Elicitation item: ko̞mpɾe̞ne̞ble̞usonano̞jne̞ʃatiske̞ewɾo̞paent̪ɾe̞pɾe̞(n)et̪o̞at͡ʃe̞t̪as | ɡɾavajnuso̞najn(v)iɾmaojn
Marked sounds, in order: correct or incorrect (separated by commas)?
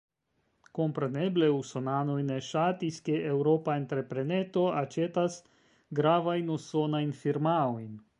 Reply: correct, incorrect